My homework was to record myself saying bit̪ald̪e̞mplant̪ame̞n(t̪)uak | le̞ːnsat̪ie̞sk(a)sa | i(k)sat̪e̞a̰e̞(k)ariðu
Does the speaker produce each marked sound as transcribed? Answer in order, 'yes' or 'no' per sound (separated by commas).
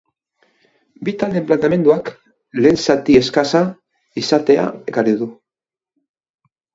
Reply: no, yes, no, yes